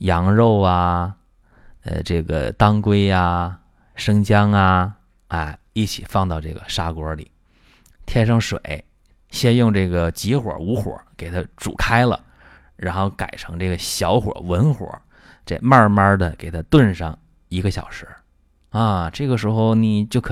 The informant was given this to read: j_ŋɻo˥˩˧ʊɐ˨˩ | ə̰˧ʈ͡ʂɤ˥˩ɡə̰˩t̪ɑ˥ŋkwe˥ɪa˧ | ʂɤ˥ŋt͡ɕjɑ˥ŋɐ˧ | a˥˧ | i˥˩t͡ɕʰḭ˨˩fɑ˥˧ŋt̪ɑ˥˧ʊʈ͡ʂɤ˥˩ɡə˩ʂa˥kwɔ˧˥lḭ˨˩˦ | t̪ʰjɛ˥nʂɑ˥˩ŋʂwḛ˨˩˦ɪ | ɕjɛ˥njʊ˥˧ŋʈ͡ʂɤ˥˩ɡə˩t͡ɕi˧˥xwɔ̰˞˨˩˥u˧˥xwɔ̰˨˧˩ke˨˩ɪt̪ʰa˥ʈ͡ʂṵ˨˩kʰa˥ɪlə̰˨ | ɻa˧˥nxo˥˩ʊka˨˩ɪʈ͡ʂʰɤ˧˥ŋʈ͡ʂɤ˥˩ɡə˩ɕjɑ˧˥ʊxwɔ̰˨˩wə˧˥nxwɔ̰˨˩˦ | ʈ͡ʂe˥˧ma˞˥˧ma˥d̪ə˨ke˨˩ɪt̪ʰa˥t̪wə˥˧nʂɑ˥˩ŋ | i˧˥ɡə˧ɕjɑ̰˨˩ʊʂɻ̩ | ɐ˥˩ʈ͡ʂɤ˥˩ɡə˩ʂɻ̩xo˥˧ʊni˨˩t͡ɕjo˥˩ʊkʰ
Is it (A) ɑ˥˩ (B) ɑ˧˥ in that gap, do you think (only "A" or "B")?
B